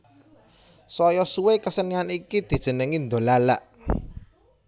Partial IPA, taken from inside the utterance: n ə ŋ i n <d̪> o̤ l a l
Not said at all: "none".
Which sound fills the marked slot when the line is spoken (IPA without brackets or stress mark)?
d̪